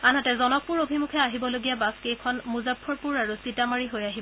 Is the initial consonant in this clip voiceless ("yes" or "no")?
no